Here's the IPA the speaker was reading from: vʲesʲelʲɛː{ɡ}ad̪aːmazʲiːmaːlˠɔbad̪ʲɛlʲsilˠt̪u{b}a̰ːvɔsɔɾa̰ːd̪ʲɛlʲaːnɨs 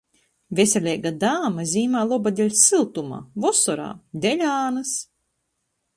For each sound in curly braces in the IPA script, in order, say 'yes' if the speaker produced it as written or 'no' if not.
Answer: yes, no

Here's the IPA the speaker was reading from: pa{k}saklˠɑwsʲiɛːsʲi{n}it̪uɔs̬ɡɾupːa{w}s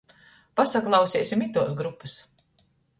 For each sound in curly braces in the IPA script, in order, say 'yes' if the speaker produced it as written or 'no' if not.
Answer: no, no, no

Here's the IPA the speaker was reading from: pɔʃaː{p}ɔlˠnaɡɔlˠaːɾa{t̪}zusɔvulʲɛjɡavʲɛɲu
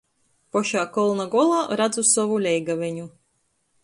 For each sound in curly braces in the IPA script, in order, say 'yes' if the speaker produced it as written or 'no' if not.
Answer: no, no

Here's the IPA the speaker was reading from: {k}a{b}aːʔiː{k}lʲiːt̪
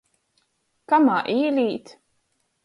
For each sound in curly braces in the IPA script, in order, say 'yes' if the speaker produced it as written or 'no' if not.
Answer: yes, no, no

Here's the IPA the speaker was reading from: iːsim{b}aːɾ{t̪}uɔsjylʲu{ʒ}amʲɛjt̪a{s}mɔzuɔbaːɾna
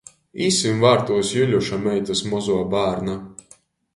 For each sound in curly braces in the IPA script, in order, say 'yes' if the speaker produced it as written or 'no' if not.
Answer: no, yes, no, yes

